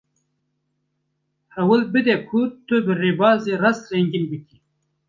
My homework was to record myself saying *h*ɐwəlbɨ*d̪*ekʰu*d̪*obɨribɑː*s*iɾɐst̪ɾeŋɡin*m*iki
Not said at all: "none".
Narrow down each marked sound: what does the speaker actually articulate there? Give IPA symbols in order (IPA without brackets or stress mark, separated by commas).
h, d̪, t̪, z, b